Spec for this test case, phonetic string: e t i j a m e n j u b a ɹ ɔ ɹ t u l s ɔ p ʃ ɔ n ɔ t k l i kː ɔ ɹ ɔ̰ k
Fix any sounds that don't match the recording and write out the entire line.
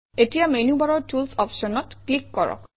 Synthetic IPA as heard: e t i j a m e n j u b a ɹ ɔ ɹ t u l s ɔ p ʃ ɔ n ɔ t k l i kː ɔ ɹ ɔ̰ k